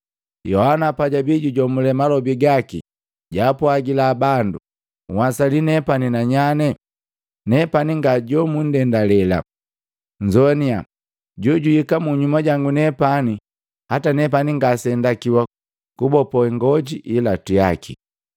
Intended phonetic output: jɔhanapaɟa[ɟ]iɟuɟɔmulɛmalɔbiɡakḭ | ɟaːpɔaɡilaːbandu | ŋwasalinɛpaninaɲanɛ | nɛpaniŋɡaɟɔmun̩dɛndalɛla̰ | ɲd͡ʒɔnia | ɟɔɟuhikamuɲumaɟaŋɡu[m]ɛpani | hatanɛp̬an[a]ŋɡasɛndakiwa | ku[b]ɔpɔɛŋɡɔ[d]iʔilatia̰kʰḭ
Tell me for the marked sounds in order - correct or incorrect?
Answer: incorrect, incorrect, incorrect, correct, incorrect

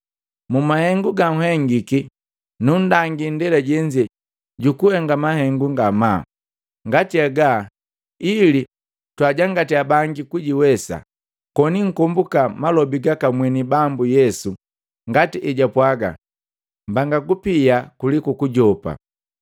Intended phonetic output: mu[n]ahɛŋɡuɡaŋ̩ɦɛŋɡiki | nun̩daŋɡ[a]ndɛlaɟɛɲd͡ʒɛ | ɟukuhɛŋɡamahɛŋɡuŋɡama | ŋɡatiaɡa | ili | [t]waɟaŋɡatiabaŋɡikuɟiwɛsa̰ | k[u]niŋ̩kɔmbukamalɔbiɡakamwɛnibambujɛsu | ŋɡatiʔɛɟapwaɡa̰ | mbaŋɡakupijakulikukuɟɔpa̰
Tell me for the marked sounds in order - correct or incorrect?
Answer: incorrect, incorrect, correct, incorrect

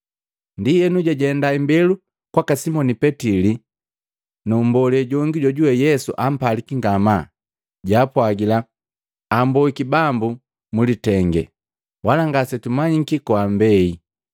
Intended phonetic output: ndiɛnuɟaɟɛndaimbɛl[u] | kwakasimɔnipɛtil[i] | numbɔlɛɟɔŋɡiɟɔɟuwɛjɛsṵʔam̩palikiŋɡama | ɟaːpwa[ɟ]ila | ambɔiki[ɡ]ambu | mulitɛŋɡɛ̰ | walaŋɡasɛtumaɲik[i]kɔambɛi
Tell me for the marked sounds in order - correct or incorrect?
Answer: correct, correct, incorrect, incorrect, correct

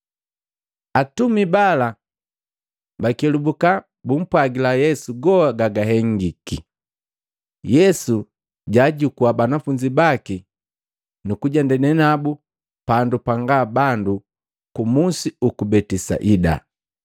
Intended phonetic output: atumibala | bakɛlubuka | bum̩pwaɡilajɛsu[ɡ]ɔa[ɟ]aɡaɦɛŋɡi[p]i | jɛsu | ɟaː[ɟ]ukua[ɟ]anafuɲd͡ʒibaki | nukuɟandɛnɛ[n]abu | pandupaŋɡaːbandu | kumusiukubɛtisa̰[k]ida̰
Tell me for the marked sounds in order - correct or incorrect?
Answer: correct, incorrect, incorrect, correct, incorrect, correct, incorrect

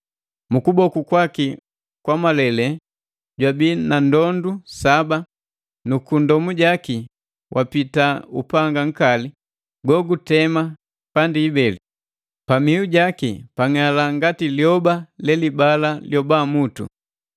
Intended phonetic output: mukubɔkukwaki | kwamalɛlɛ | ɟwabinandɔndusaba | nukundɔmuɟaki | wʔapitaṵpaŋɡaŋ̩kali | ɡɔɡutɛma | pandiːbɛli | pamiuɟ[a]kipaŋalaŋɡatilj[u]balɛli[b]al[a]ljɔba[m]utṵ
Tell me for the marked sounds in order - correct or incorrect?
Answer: correct, incorrect, correct, correct, correct

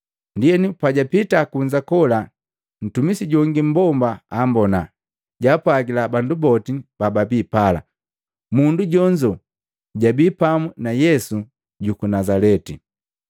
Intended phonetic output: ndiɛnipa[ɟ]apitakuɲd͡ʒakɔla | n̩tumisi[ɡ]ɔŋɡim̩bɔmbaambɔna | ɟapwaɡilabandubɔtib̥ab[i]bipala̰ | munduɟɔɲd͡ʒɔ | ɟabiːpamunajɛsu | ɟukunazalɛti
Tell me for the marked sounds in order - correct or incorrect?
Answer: correct, incorrect, incorrect

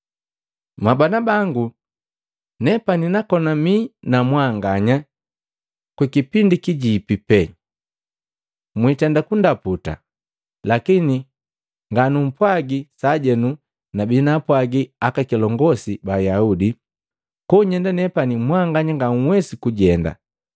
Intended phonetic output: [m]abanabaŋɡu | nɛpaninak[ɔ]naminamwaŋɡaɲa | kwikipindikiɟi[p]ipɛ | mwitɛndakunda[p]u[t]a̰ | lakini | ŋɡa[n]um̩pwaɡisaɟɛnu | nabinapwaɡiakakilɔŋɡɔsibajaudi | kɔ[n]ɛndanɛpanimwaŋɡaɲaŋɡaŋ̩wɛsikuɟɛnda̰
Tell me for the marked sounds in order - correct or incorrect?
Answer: correct, correct, correct, correct, correct, correct, incorrect

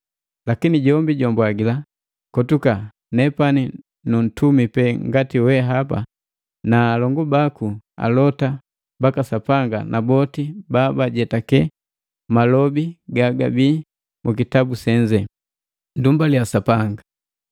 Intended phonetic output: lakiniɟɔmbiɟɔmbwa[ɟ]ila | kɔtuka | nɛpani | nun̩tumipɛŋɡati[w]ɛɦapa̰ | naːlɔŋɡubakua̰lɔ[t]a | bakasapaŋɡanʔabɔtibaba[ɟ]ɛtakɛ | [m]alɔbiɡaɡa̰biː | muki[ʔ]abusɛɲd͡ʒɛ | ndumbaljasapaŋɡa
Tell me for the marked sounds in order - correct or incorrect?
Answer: incorrect, correct, correct, correct, correct, incorrect

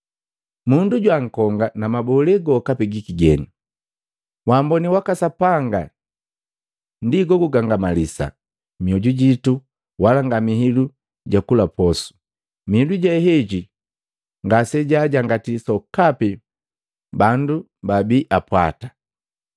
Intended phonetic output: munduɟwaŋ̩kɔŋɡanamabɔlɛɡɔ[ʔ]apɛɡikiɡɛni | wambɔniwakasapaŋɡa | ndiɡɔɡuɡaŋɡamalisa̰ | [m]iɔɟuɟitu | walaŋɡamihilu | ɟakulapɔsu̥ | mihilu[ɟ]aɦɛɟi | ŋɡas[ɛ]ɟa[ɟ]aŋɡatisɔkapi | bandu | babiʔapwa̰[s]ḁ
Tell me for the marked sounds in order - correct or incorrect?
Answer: incorrect, correct, correct, correct, correct, incorrect

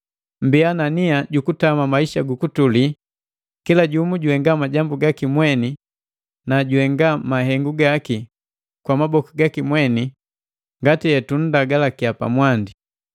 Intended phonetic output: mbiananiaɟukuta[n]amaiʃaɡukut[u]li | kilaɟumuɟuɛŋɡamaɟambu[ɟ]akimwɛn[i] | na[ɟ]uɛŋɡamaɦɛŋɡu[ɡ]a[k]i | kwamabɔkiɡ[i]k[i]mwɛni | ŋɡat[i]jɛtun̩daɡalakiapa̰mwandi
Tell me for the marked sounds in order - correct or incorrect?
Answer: incorrect, correct, incorrect, correct, correct, correct, correct, incorrect, correct, correct

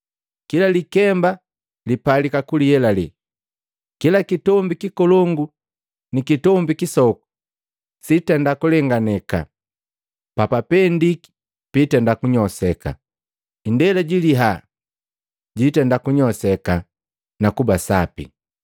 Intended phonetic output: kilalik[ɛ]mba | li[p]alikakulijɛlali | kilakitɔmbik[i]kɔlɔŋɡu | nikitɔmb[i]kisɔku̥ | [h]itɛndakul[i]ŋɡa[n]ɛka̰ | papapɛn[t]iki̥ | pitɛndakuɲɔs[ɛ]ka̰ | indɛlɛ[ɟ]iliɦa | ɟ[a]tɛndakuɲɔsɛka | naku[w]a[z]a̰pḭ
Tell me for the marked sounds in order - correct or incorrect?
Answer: correct, correct, correct, correct, incorrect, incorrect, correct, incorrect, correct, correct, incorrect, incorrect, incorrect

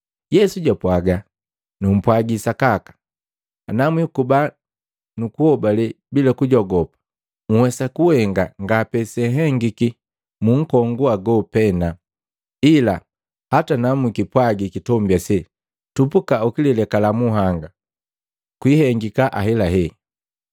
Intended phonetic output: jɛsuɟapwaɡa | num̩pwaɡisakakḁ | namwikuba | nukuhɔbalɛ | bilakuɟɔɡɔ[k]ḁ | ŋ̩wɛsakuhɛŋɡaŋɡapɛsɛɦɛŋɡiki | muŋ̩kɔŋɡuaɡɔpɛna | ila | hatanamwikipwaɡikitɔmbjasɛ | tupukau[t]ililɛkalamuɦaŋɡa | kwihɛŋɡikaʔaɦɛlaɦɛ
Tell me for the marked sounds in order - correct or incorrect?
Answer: incorrect, incorrect

